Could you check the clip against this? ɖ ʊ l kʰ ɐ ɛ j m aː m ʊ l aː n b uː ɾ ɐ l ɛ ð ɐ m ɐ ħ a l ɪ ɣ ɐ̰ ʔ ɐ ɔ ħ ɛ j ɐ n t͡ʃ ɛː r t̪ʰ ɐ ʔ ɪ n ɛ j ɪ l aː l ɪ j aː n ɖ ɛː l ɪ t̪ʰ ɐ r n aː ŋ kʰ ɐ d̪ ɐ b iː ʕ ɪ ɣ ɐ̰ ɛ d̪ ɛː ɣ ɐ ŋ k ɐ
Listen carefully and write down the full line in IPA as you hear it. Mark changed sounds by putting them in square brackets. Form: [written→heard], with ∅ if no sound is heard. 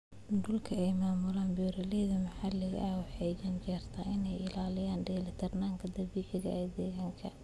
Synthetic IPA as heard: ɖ ʊ l kʰ ɐ ɛ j m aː m ʊ l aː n b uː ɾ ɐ l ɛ ð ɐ m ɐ ħ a l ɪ ɣ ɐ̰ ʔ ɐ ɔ ħ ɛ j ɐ n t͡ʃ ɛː r t̪ʰ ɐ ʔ ɪ n ɛ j ɪ l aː l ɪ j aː n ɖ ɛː l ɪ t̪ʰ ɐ r n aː ŋ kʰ ɐ d̪ ɐ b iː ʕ ɪ ɣ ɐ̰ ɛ d̪ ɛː ɣ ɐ ŋ [k→kʰ] ɐ